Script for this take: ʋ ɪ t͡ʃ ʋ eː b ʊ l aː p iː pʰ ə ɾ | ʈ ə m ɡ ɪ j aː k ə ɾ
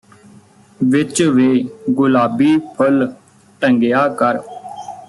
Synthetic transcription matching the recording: ʋ ɪ t͡ʃ ʋ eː ɡ ʊ l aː b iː pʰ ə l | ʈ ə ŋ ɡ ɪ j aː k ə ɾ

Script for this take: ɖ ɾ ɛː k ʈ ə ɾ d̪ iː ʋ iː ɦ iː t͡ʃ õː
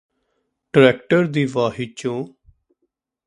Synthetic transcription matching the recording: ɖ ɾ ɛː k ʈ ə ɾ d̪ iː ʋ aː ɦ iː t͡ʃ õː

